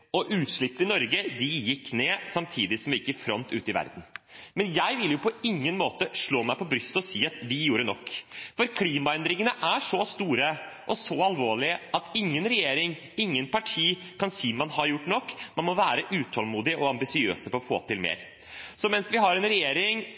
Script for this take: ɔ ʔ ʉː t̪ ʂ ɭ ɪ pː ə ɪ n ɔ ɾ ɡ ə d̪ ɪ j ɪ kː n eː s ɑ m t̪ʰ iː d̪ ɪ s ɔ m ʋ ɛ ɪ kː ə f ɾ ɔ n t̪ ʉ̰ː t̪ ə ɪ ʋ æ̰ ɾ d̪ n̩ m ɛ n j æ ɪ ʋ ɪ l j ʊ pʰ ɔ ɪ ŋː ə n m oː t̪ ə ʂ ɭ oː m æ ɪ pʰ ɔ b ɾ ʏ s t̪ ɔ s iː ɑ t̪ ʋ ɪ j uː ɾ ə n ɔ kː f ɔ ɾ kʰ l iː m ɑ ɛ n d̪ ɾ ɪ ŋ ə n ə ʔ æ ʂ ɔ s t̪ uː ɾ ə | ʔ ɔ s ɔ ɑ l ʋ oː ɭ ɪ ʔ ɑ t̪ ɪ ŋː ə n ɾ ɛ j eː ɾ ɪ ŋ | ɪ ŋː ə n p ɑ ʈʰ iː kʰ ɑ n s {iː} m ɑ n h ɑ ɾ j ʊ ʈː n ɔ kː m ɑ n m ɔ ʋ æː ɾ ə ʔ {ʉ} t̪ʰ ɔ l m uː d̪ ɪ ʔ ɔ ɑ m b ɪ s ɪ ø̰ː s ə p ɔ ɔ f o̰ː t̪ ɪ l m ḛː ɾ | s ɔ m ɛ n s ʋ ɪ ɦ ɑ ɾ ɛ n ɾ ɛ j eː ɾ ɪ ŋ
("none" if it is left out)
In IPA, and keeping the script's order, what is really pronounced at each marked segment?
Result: iː, ʉː

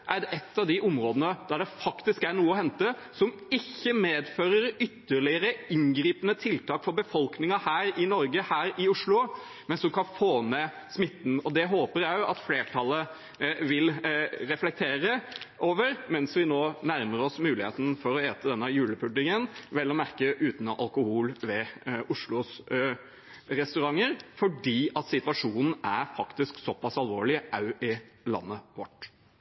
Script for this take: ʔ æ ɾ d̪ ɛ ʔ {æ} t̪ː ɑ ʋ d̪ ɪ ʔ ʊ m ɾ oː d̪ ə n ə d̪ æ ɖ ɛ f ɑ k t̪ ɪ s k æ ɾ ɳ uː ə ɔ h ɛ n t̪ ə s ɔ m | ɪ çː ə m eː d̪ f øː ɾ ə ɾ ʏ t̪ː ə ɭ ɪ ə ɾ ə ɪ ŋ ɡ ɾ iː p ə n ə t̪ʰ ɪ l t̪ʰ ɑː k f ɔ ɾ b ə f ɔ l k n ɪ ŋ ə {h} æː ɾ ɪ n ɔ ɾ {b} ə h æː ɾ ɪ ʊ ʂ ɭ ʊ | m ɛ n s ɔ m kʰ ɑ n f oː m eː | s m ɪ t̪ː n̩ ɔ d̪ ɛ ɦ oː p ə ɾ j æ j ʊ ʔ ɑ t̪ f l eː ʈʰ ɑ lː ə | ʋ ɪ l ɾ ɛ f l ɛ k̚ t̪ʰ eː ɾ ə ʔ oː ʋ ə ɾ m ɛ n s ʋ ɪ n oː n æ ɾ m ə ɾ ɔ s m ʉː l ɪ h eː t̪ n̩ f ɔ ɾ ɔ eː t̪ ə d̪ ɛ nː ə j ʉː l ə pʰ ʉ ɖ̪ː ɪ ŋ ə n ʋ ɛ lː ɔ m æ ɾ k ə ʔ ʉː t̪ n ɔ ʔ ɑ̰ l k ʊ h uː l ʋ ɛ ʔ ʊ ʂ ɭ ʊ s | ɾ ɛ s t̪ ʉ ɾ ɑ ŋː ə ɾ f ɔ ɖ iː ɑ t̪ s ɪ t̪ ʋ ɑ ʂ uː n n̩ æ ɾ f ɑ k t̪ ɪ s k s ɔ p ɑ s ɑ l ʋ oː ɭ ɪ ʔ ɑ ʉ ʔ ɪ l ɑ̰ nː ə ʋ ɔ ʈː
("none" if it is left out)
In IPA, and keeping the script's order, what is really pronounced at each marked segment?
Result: ɛ, h, ɡ

